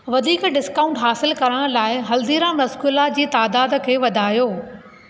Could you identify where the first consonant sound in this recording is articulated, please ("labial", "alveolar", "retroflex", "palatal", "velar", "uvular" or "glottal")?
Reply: labial